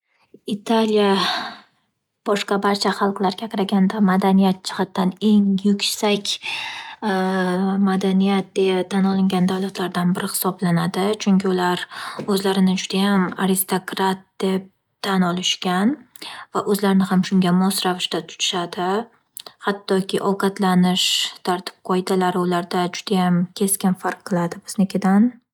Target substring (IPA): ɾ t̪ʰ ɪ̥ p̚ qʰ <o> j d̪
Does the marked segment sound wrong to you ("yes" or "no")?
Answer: yes